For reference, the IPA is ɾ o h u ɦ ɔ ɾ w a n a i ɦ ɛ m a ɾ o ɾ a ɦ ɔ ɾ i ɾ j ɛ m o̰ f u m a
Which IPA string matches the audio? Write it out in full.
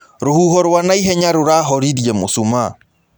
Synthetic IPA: ɾ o h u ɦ ɔ ɾ w a n a i ɦ ɛ ɲ a ɾ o ɾ a ɦ ɔ ɾ i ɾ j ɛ m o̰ s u m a